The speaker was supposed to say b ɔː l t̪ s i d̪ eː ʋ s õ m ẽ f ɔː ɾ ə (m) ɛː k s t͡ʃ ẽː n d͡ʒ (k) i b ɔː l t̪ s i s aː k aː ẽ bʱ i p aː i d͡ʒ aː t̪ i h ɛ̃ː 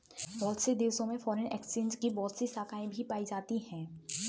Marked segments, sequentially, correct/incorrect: incorrect, correct

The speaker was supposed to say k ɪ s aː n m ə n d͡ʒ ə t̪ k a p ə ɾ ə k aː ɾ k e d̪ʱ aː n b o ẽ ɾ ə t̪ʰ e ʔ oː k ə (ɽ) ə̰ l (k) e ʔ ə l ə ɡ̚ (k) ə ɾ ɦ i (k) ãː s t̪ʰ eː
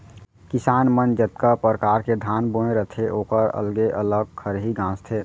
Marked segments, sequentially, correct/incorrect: incorrect, incorrect, incorrect, incorrect

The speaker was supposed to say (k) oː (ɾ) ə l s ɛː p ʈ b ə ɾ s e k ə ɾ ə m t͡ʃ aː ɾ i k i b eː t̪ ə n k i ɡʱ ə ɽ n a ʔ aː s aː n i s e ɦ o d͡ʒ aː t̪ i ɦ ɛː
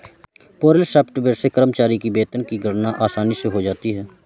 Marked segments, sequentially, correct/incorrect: incorrect, correct

